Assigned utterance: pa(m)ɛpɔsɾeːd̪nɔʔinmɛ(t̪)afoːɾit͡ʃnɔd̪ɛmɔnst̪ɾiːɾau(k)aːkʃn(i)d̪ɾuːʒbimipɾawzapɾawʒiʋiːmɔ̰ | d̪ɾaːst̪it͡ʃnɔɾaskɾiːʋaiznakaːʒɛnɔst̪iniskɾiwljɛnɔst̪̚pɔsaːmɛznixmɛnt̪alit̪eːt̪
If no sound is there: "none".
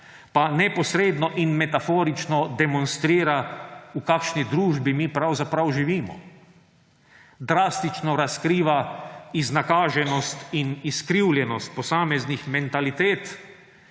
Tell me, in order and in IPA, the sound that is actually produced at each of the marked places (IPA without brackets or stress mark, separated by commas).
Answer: n, t̪, k, i